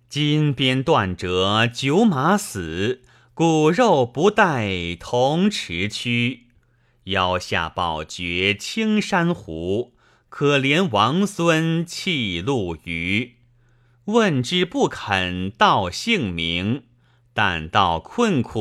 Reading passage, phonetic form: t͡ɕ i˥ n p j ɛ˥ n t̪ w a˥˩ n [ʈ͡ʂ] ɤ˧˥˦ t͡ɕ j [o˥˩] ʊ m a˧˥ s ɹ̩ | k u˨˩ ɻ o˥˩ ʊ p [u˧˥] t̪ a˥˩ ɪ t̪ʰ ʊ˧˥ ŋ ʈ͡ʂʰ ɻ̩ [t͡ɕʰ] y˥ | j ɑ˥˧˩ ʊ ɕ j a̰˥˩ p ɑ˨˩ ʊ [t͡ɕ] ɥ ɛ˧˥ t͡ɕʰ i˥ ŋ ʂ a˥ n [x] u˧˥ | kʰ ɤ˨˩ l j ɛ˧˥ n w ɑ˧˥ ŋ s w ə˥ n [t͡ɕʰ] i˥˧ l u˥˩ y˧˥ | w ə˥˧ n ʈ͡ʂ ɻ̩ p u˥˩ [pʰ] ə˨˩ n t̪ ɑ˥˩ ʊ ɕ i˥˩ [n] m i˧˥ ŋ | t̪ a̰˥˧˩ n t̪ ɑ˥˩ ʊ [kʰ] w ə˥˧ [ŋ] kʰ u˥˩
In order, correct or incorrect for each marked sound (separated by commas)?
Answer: correct, incorrect, correct, correct, correct, correct, correct, incorrect, incorrect, correct, incorrect